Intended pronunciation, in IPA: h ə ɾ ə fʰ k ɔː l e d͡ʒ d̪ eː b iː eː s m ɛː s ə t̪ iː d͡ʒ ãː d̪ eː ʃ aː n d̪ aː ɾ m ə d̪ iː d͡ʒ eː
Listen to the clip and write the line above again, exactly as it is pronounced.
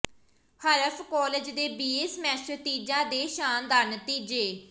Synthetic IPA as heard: h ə ɾ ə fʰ k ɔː l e d͡ʒ d̪ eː b iː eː s m ɛː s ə t̪ iː d͡ʒ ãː d̪ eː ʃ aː n d̪ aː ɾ n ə t̪ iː d͡ʒ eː